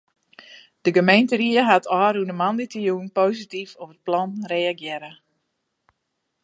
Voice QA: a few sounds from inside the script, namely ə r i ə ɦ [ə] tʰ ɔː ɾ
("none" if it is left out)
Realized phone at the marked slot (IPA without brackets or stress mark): a